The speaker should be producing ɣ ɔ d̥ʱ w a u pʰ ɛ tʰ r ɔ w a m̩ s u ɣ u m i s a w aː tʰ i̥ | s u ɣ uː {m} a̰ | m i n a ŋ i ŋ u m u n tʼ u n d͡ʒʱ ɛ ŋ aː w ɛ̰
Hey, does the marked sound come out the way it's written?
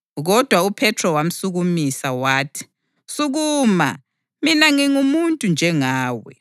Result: yes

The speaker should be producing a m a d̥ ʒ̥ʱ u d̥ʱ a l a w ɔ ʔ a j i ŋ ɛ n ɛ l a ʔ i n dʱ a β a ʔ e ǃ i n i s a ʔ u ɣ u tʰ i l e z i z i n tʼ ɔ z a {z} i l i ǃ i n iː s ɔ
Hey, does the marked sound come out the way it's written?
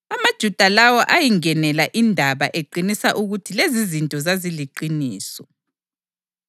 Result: yes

